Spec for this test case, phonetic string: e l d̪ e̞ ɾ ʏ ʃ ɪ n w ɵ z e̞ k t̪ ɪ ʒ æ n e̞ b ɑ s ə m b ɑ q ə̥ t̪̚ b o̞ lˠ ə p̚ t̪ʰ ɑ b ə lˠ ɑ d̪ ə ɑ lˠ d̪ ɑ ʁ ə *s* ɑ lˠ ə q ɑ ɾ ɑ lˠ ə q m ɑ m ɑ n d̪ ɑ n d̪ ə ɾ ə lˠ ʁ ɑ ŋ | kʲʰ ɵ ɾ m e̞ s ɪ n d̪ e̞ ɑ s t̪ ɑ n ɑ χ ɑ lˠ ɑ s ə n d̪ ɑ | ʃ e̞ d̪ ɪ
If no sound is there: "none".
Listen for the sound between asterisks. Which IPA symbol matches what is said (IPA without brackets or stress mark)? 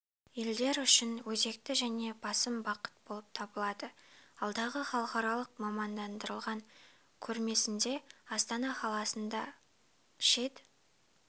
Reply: χ